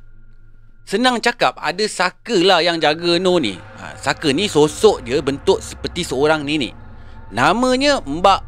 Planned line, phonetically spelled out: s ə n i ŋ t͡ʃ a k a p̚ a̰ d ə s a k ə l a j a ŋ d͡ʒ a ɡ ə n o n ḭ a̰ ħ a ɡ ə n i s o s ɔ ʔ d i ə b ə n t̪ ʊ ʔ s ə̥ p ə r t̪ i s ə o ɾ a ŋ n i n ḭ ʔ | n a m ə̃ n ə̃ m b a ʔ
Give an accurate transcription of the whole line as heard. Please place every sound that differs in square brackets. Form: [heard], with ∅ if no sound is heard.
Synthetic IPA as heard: s ə n [a] ŋ t͡ʃ a k a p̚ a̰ d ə s a k ə l a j a ŋ d͡ʒ a ɡ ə n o n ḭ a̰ [s] a [k] ə n i s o s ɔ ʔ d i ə b ə n t̪ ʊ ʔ s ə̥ p ə r t̪ i s ə o ɾ a ŋ n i n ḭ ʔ | n a m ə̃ [ɲ] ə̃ m b a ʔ